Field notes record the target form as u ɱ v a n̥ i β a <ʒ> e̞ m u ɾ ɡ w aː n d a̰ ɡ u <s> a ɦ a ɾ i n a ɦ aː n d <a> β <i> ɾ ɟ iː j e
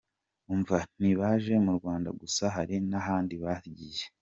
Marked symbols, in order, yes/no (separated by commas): yes, yes, no, no